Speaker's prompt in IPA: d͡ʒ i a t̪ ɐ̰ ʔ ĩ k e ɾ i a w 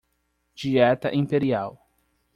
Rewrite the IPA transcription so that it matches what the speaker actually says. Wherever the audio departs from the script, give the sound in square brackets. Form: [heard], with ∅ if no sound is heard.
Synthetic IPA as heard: d͡ʒ i [ɛ] t̪ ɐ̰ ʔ ĩ [p] e ɾ i a w

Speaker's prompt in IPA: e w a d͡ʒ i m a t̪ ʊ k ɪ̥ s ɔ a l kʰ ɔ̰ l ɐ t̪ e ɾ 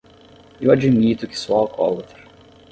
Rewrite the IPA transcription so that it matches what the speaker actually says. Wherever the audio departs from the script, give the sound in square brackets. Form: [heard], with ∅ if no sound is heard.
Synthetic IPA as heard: e w a d͡ʒ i m [i] t̪ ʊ k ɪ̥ s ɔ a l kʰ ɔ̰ l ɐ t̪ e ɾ

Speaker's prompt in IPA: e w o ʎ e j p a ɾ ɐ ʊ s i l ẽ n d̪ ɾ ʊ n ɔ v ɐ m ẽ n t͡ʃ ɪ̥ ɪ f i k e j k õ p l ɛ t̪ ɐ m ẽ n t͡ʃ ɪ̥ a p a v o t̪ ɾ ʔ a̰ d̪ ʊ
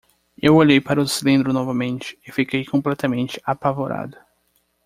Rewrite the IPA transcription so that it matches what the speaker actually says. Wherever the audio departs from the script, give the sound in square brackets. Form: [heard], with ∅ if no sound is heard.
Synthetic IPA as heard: e w o ʎ e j p a ɾ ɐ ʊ s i l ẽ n d̪ ɾ ʊ n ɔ v ɐ m ẽ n t͡ʃ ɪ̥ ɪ f i k e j k õ p l ɛ t̪ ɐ m ẽ n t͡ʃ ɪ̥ a p a v o [∅] ɾ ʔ a̰ d̪ ʊ

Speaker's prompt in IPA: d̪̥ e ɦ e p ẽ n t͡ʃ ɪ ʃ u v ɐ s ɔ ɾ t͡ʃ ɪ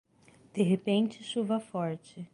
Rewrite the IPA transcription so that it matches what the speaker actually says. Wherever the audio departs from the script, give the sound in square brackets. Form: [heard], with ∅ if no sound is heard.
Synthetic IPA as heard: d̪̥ e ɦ e p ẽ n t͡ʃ ɪ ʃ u v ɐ [f] ɔ ɾ t͡ʃ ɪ

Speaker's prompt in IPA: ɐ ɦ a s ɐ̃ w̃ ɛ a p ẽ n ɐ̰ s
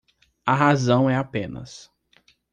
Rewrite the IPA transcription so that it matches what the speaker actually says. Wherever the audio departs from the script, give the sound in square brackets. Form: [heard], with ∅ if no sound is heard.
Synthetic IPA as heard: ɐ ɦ a [z] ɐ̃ w̃ ɛ a p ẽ n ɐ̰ s

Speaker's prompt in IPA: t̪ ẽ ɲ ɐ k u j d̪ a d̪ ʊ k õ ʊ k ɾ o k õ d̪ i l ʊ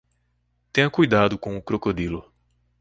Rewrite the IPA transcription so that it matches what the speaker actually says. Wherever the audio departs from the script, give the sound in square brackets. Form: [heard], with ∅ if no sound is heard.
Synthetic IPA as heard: t̪ ẽ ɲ ɐ k u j d̪ a d̪ ʊ k õ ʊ k ɾ o k [o] d̪ i l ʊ

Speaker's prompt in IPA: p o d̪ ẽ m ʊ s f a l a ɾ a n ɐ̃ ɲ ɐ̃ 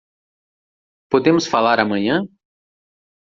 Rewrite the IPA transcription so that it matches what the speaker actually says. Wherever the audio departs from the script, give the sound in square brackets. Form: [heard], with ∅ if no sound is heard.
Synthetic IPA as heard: p o d̪ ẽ m ʊ s f a l a ɾ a [m] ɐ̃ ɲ ɐ̃

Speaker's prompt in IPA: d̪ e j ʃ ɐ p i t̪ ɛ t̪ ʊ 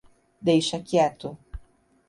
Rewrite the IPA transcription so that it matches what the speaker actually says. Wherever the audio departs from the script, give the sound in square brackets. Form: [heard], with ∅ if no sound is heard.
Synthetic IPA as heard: d̪ e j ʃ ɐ [k] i [∅] ɛ t̪ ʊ

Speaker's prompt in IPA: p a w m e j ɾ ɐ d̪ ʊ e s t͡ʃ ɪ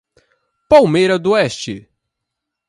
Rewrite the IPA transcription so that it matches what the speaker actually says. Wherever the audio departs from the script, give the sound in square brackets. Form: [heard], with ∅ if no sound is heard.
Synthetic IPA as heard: p a w m e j ɾ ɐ d̪ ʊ [ɛ] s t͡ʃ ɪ

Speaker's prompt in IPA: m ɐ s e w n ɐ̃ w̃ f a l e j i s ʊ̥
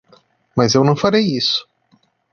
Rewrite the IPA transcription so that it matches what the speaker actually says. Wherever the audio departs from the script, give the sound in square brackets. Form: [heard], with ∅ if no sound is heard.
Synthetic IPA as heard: m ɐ [z] e w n ɐ̃ w̃ f a [ɾ] e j i s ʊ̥

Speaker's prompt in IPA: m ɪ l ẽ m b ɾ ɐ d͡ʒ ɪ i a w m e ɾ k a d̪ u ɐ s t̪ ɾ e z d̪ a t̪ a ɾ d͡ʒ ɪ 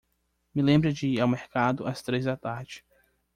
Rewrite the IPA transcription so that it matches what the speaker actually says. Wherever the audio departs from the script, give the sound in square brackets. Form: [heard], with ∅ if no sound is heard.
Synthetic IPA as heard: m ɪ l ẽ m b ɾ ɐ d͡ʒ ɪ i a w m e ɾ k a d̪ [ʊ] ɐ s t̪ ɾ e z d̪ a t̪ a ɾ d͡ʒ ɪ

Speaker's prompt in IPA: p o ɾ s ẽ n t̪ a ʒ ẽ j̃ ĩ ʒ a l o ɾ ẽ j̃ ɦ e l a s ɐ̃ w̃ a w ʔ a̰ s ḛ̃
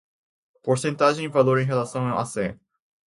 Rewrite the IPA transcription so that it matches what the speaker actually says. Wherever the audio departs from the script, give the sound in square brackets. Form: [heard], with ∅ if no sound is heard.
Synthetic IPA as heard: p o ɾ s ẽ n t̪ a ʒ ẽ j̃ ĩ [v] a l o ɾ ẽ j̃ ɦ e l a s ɐ̃ w̃ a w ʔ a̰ s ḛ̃

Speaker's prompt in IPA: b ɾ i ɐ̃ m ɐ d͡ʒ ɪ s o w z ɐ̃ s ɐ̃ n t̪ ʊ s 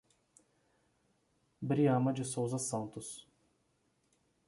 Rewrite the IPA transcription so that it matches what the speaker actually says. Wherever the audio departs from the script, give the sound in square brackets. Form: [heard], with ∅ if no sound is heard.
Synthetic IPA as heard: b ɾ i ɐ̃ m ɐ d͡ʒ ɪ s o w z [ɐ] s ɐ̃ n t̪ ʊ s

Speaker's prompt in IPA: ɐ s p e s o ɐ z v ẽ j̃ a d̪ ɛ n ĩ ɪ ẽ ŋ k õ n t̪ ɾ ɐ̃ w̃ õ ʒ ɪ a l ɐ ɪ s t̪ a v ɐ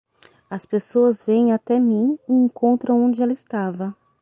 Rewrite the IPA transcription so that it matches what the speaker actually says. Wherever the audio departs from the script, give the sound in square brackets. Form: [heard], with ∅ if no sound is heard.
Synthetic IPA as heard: ɐ s p e s o ɐ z v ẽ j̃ a [t̪] ɛ [m] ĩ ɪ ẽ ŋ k õ n t̪ ɾ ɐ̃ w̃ õ [d͡ʒ] ɪ [ɛ] l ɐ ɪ s t̪ a v ɐ

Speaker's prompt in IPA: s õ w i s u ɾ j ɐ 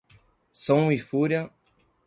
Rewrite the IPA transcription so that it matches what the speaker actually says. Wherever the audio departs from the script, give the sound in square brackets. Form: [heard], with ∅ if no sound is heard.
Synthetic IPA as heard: s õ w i [f] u ɾ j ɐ

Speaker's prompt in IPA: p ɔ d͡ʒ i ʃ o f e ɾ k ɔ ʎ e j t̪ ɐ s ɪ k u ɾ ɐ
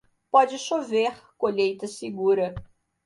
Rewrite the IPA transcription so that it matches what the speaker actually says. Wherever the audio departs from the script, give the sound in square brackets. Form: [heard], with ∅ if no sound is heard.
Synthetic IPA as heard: p ɔ d͡ʒ [ɪ] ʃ o [v] e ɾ k [o] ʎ e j t̪ ɐ s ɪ [ɡ] u ɾ ɐ

